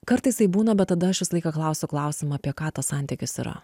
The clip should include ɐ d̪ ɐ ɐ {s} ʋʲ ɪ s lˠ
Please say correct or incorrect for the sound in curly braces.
incorrect